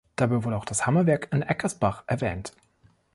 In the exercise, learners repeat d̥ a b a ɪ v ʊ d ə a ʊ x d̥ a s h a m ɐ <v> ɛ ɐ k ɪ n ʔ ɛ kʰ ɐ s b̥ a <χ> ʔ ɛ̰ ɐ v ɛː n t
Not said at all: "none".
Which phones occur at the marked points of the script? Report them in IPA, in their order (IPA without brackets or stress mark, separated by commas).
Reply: v, χ